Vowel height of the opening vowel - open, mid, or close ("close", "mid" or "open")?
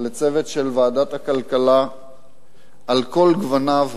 mid